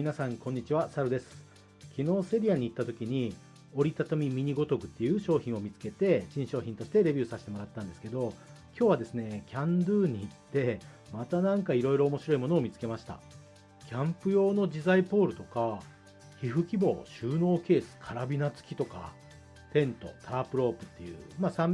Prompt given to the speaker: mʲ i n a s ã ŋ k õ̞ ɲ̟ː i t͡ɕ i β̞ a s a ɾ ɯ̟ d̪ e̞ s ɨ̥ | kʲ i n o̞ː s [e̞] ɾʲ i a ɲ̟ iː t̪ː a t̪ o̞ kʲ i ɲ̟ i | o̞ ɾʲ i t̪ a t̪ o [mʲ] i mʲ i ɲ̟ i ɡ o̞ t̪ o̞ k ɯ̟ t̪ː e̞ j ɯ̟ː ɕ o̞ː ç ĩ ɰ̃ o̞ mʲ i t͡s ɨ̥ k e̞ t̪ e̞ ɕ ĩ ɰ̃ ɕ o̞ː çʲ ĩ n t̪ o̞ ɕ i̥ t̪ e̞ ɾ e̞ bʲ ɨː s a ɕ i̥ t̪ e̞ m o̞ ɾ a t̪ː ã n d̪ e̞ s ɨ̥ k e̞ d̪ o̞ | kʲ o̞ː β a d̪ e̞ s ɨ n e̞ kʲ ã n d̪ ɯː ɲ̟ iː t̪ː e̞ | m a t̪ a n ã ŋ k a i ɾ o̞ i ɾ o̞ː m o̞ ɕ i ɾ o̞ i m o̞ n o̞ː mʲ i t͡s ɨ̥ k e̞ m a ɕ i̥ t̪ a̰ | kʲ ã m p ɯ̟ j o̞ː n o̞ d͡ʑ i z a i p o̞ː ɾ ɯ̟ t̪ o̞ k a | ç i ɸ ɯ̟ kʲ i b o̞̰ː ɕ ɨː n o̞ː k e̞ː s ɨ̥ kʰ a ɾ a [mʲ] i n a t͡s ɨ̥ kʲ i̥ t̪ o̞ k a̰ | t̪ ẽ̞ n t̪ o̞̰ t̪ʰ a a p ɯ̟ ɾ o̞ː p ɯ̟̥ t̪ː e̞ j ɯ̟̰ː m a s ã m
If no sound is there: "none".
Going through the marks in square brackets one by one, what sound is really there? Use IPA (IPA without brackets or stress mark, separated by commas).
e̞, mʲ, bʲ